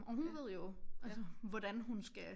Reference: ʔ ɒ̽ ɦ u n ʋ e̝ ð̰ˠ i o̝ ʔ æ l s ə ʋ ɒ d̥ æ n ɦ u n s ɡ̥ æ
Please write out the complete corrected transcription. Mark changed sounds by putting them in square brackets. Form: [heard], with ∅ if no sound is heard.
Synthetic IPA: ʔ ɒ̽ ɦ u n ʋ e̝ ð̰ˠ [j] o̝ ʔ æ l s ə ʋ ɒ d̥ æ n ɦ u n s ɡ̥ æ